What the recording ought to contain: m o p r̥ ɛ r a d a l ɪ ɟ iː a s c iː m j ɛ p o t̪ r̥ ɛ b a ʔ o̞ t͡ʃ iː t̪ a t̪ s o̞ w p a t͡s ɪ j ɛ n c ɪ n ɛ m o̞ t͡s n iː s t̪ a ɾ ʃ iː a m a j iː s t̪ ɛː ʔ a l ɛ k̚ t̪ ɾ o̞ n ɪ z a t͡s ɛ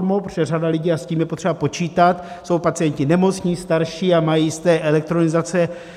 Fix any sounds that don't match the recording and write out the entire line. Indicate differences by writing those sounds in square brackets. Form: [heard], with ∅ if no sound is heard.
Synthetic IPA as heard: m o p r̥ ɛ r a d a l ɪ ɟ iː a s c iː m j ɛ p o t̪ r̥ ɛ b a [p] o̞ t͡ʃ iː t̪ a t̪ s o̞ w p a t͡s ɪ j ɛ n c ɪ n ɛ m o̞ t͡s [ɲ] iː s t̪ a ɾ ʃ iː a m a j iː s t̪ ɛː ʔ [ɛ] l ɛ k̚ t̪ ɾ o̞ n ɪ z a t͡s ɛ

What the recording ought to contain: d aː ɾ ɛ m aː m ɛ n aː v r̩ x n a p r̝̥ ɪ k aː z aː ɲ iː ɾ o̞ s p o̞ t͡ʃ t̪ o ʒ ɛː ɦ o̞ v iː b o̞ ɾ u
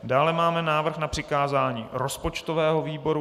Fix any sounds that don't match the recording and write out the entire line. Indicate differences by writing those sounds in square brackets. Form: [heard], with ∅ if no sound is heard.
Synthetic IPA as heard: d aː [l] ɛ m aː m ɛ n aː v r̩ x n a p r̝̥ ɪ k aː z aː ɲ iː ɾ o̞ s p o̞ t͡ʃ t̪ o [v] ɛː ɦ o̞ v iː b o̞ ɾ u

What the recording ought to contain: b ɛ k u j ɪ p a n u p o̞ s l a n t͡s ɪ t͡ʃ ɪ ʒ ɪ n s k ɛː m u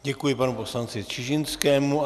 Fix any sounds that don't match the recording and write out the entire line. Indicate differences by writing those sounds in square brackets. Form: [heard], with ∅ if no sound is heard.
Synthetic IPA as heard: [ɟ] ɛ k u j ɪ p a n u p o̞ s l a n t͡s ɪ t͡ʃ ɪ ʒ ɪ n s k ɛː m u

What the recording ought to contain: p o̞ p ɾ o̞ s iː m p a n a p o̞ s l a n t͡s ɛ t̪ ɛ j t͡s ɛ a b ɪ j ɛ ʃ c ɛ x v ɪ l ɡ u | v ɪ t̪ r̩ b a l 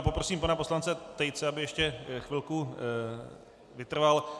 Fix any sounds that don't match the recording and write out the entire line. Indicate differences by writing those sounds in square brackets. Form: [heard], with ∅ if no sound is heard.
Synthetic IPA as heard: p o̞ p ɾ o̞ s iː m p a n a p o̞ s l a n t͡s ɛ t̪ ɛ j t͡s ɛ a b ɪ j ɛ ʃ c ɛ x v ɪ l [k] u | v ɪ t̪ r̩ [v] a l

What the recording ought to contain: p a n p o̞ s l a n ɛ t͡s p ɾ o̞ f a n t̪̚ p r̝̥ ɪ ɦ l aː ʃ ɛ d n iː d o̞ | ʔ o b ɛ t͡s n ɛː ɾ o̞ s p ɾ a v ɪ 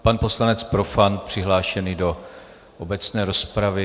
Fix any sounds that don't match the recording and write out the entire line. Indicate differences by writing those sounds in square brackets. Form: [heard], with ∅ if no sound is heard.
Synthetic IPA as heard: p a n p o̞ s l a n ɛ t͡s p ɾ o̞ f a n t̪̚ p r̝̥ ɪ ɦ l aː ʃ ɛ [∅] n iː d o̞ | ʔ o b ɛ t͡s n ɛː ɾ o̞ s p ɾ a v ɪ

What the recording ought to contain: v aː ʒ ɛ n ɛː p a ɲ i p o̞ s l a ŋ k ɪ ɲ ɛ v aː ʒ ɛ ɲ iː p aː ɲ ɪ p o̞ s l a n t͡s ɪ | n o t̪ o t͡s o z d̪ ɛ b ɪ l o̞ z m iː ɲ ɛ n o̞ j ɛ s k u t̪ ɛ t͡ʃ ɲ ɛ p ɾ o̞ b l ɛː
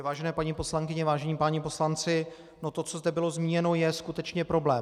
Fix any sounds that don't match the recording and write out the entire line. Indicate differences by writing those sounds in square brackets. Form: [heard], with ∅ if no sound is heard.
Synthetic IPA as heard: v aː ʒ ɛ n ɛː p a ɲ i p o̞ s l a ŋ k ɪ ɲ ɛ v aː ʒ ɛ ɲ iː p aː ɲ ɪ p o̞ s l a n t͡s ɪ | n o t̪ o t͡s o z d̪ ɛ b ɪ l o̞ z m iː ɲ ɛ n o̞ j ɛ s k u t̪ ɛ t͡ʃ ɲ ɛ p ɾ o̞ b l ɛː

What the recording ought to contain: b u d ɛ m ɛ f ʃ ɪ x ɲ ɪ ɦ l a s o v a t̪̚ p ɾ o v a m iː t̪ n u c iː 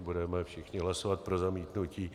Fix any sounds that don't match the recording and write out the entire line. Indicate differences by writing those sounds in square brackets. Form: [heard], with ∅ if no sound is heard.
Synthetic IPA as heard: b u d ɛ m ɛ f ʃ ɪ x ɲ ɪ ɦ l a s o v a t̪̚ p ɾ o [z] a m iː t̪ n u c iː

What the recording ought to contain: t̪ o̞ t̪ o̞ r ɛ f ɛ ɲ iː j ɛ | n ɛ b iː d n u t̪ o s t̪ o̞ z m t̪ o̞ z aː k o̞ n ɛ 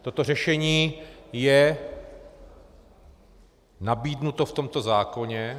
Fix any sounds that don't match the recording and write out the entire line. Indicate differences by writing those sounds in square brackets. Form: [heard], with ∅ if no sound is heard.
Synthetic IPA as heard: t̪ o̞ t̪ o̞ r ɛ [ʃ] ɛ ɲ iː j ɛ | n [a] b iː d n u t̪ o [f] t̪ o̞ [∅] m t̪ o̞ z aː k o̞ [ɲ] ɛ

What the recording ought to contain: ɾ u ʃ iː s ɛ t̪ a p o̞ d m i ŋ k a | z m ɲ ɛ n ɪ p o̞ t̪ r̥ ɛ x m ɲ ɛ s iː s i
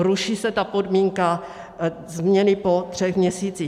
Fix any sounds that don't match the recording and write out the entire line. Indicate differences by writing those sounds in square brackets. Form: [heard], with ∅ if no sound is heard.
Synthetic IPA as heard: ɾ u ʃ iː s ɛ t̪ a p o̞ d m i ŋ k a | z m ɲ ɛ n ɪ p o̞ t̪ r̥ ɛ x m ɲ ɛ s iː [t͡s] i

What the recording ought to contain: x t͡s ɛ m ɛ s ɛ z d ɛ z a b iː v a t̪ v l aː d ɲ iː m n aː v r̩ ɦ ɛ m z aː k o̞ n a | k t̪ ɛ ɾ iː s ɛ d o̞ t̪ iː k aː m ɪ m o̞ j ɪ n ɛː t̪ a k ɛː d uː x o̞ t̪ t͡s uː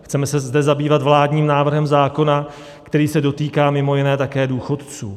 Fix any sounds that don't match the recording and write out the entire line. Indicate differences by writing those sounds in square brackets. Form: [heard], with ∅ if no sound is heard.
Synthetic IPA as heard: x t͡s ɛ m ɛ s ɛ z d ɛ z a b iː v a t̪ v l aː d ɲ iː m n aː v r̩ ɦ ɛ m z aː k o̞ n a | k t̪ ɛ ɾ iː s ɛ d o̞ t̪ iː k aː m ɪ m o̞ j ɪ n ɛː t̪ a k ɛː d uː x o̞ t̪ t͡s uː

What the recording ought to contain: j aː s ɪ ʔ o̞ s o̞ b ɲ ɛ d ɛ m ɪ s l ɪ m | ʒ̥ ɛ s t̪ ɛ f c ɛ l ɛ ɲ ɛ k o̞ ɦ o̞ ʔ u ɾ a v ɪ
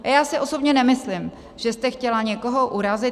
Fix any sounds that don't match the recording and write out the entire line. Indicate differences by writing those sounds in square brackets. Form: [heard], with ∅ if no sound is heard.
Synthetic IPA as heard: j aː s ɪ ʔ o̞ s o̞ b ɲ ɛ [n] ɛ m ɪ s l ɪ m | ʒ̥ ɛ s t̪ ɛ [x] c ɛ l [a] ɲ ɛ k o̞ ɦ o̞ ʔ u ɾ a [z] ɪ

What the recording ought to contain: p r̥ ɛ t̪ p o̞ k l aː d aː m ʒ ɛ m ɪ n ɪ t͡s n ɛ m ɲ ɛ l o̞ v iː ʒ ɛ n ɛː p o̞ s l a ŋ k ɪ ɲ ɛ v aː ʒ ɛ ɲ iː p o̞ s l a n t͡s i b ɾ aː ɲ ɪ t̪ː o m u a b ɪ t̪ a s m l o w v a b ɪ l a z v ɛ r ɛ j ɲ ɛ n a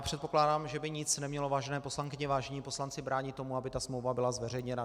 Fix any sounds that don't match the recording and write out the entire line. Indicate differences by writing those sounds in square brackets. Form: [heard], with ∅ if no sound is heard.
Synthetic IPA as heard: p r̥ ɛ t̪ p o̞ k l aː d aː m ʒ ɛ [b] ɪ [ɲ] ɪ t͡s n ɛ m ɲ ɛ l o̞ v [aː] ʒ ɛ n ɛː p o̞ s l a ŋ k ɪ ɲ ɛ v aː ʒ ɛ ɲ iː p o̞ s l a n t͡s [ɪ] b ɾ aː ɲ ɪ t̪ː o m u a b ɪ t̪ a s m l o w v a b ɪ l a z v ɛ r ɛ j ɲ ɛ n a

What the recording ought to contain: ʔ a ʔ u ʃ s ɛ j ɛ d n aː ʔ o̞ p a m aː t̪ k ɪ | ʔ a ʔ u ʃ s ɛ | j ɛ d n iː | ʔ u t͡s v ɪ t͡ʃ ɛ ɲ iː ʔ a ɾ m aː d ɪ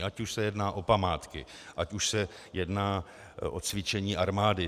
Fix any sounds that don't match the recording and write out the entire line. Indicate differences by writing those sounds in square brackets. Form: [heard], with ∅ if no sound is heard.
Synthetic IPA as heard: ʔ a [c] u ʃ s ɛ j ɛ d n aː ʔ o̞ p a m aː t̪ k ɪ | ʔ a [c] u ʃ s ɛ | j ɛ d n [aː] | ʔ [o] t͡s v ɪ t͡ʃ ɛ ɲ iː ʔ a ɾ m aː d ɪ

